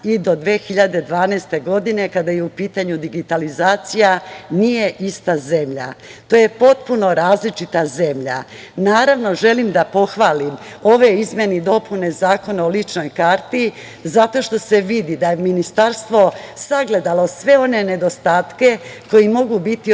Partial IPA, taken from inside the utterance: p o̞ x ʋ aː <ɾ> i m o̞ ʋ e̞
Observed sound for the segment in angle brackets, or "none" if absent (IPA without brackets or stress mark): l